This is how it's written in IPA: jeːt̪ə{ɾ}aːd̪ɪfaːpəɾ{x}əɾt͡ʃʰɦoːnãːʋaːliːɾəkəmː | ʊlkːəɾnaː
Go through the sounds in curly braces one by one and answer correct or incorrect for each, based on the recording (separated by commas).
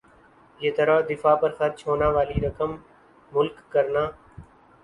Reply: correct, correct